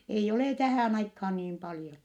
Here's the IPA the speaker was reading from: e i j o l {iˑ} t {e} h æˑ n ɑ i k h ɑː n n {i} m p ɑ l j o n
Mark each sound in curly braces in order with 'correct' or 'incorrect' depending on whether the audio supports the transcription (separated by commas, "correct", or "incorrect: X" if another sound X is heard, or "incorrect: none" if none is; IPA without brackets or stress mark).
incorrect: eˑ, incorrect: æ, incorrect: iː